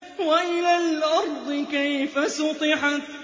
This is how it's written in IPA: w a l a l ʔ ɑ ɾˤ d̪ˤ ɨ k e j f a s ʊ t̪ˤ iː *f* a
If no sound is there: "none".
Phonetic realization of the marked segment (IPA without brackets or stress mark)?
ħ